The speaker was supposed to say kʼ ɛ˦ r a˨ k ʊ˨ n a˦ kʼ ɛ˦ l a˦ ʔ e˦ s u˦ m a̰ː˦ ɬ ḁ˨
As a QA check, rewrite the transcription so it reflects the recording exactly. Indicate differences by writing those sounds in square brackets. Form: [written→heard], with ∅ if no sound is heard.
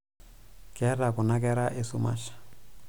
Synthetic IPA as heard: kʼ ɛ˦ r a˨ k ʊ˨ n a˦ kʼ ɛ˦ [l→ɾ] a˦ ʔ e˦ s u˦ m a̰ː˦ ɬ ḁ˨